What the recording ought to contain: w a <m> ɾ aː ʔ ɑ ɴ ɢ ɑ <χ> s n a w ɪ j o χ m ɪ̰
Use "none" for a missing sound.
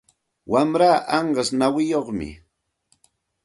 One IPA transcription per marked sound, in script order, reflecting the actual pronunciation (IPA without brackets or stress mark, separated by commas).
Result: m, none